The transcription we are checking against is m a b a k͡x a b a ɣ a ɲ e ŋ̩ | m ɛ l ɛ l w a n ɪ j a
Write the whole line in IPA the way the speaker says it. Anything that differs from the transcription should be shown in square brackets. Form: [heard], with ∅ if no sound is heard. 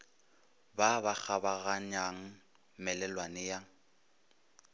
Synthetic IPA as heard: [b] a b a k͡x a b a ɣ a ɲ [a] ŋ̩ | m ɛ l ɛ l w a n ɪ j a